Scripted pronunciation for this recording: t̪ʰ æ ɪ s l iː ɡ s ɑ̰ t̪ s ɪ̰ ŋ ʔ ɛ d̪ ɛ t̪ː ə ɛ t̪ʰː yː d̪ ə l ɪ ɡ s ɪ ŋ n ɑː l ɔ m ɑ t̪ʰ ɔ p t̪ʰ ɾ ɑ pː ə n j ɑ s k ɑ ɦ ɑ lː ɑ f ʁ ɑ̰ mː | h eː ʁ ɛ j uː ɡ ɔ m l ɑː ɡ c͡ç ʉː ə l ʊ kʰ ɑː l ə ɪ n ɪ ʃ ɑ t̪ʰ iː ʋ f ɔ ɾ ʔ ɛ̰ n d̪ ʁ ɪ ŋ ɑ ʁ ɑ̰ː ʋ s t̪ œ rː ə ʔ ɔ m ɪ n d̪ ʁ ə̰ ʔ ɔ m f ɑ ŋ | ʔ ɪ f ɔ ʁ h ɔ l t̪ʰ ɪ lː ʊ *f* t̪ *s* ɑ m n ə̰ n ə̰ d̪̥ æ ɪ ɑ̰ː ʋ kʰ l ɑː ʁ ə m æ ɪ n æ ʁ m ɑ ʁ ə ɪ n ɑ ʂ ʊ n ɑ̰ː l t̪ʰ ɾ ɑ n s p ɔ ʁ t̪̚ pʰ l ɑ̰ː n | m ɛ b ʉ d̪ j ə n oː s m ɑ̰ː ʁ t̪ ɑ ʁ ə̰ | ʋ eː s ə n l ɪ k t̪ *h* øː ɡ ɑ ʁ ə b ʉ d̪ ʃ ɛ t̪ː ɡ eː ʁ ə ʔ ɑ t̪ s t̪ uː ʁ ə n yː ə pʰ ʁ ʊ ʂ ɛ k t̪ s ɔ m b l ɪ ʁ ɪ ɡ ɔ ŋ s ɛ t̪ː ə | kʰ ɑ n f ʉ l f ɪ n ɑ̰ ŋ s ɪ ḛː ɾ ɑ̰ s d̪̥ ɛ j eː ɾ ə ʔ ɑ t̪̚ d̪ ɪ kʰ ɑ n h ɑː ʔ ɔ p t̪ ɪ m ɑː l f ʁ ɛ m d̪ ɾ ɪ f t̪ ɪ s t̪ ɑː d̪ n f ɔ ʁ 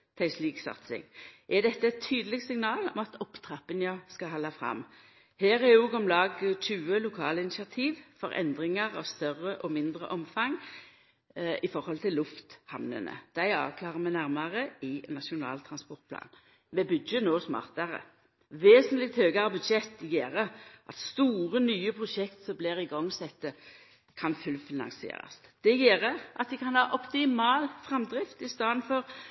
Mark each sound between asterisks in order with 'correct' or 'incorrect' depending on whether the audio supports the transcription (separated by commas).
correct, incorrect, correct